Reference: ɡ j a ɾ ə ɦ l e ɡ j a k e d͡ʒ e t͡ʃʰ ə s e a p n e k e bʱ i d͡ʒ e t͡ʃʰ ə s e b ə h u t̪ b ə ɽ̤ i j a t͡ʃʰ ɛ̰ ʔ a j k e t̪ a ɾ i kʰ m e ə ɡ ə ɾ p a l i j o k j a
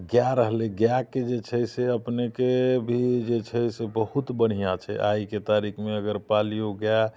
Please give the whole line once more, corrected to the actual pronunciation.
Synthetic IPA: ɡ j a ɾ ə ɦ l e ɡ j a k e d͡ʒ e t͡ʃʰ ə s e ə p n e k e bʱ i d͡ʒ e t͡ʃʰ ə s e b ə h u t̪ b ə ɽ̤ i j a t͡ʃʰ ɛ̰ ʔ a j k e t̪ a ɾ i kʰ m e ə ɡ ə ɾ p a l i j o ɡ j a